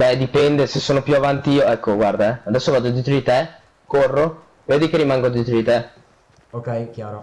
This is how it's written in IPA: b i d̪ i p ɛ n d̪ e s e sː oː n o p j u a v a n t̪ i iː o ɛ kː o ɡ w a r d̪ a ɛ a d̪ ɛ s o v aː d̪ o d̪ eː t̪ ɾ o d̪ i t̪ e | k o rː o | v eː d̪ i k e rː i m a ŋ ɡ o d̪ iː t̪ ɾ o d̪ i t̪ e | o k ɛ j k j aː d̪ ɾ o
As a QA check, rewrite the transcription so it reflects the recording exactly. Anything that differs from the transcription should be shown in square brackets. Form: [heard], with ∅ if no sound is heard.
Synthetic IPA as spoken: b [ɛ] d̪ i p ɛ n d̪ e s e sː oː n o p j u a v a n t̪ i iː o ɛ kː o ɡ w a r d̪ a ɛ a d̪ ɛ [sː] o v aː d̪ o d̪ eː t̪ ɾ o d̪ i t̪ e | k o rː o | v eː d̪ i k e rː i m a ŋ ɡ o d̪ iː t̪ ɾ o d̪ i t̪ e | o k ɛ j k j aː [∅] ɾ o

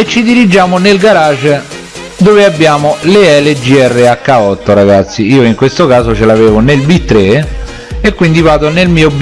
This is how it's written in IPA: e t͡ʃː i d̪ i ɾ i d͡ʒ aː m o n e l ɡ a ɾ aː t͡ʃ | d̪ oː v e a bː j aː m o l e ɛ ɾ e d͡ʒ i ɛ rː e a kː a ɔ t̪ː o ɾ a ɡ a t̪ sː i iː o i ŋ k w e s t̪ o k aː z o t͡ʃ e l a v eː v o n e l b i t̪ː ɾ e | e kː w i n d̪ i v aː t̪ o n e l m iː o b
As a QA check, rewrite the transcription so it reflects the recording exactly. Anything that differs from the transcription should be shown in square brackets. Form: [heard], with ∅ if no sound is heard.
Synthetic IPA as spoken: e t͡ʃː i d̪ i ɾ i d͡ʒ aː m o n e l ɡ a ɾ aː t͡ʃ | d̪ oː v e a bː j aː m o l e ɛ [l] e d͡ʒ i ɛ rː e a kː a ɔ t̪ː o ɾ a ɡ a t̪ sː i iː o i ŋ k w e s t̪ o k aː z o t͡ʃ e l a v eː v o n e l b i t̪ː ɾ e | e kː w i n d̪ i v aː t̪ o n e l m iː o b

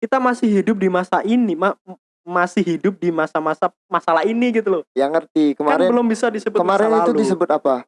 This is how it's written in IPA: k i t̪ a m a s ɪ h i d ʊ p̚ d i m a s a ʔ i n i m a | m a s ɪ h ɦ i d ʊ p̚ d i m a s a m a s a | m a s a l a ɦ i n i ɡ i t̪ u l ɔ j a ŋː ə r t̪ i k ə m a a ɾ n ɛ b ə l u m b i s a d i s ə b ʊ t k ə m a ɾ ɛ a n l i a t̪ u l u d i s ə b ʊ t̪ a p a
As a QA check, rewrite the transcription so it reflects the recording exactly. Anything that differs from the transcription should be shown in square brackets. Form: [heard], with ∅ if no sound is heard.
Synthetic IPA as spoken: k i t̪ a m a s ɪ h i d ʊ p̚ d i m a s a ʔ i n i m a | m a s ɪ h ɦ i d ʊ p̚ d i m a s a m a s a | m a s a l a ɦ i n i ɡ i t̪ u l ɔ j a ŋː ə r t̪ i k ə m a a ɾ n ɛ b ə l [ʊ] m b i s a d i s ə b ʊ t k ə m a ɾ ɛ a n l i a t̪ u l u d i s ə b ʊ t̪ a p a

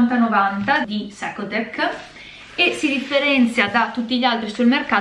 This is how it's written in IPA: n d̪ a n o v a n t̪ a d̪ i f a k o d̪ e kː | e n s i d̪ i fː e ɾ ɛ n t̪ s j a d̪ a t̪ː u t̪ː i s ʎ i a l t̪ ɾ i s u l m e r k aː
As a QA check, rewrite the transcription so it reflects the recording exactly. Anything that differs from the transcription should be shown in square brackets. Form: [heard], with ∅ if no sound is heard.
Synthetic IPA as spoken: n [t̪] a n o v a n t̪ a d̪ i [s] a k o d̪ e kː | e [∅] s i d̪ i fː e ɾ ɛ n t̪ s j a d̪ a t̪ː u t̪ː i [∅] ʎ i a l t̪ ɾ i s u l m e r k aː

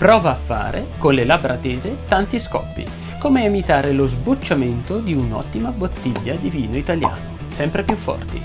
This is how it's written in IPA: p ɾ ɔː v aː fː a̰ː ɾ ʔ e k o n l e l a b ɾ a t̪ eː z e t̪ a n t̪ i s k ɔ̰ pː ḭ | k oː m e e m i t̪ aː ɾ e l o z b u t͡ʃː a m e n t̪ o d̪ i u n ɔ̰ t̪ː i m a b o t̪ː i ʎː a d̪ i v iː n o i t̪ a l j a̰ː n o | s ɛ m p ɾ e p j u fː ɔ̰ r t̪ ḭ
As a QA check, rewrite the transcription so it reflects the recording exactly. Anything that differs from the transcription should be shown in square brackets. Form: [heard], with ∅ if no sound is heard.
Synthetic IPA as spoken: p ɾ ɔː v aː fː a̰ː ɾ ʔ e k o n l e l a b ɾ a t̪ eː z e t̪ a n t̪ i s k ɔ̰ pː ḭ | k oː m e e m i t̪ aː ɾ e l o z b u t͡ʃː a m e n t̪ o d̪ i u n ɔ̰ t̪ː i m a b o t̪ː i ʎː a d̪ i v iː n o i t̪ a l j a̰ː n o | s ɛ m p ɾ e p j u fː ɔ̰ r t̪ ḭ

